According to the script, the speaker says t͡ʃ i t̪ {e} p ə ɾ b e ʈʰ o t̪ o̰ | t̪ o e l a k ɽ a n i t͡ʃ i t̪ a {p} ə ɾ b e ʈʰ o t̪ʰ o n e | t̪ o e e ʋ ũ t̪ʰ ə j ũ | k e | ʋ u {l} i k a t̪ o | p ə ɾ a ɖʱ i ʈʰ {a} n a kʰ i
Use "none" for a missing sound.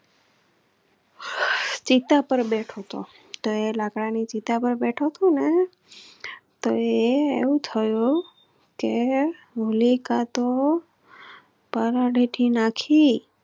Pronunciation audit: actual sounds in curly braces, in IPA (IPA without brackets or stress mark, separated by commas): a, p, l, i